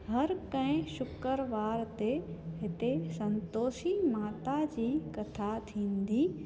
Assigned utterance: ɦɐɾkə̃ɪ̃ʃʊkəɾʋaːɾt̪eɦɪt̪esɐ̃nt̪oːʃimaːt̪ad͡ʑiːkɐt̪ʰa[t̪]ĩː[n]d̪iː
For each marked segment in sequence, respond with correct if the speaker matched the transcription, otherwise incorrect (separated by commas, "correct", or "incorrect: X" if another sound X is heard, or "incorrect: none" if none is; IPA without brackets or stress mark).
incorrect: t̪ʰ, correct